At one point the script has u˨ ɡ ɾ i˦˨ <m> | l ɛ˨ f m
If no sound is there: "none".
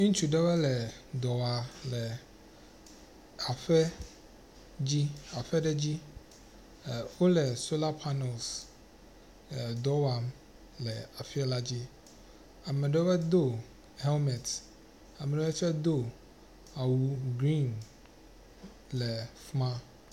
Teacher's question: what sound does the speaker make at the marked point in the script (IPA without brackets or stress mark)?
n